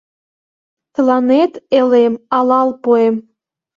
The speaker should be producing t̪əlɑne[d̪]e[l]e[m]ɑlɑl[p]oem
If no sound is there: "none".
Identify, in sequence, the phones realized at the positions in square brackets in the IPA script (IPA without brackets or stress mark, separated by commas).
t̪, l, m, p